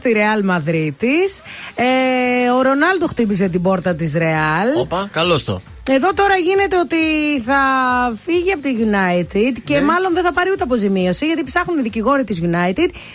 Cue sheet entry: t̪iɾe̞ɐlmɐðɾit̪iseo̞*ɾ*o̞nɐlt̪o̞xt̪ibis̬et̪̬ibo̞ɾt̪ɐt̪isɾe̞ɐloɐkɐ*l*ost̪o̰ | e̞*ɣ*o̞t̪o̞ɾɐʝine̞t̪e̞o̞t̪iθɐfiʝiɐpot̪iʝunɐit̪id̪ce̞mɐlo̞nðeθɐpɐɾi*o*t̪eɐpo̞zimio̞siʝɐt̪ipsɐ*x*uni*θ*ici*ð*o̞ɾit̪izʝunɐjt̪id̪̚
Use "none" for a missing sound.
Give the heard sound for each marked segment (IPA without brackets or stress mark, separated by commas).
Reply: ɾ, l, ð, u, x, ð, ɣ